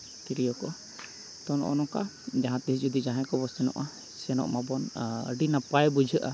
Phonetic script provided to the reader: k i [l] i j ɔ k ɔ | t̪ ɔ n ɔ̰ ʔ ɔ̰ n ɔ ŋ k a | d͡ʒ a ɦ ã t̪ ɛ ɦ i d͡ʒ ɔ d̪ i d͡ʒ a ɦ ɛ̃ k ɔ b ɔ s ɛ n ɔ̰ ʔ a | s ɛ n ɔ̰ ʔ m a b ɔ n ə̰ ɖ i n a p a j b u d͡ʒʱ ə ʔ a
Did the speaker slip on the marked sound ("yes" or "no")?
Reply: yes